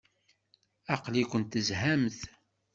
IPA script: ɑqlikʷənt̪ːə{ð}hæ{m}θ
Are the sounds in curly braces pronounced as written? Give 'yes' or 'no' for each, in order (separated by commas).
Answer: no, yes